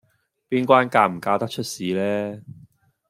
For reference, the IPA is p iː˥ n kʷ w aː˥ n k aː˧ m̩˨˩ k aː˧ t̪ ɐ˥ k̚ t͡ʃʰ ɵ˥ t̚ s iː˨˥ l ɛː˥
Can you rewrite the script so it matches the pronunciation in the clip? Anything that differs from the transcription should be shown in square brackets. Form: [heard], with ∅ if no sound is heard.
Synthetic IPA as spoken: p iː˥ n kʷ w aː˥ n k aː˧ m̩˨˩ k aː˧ t̪ ɐ˥ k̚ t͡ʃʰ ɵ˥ t̚ s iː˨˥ l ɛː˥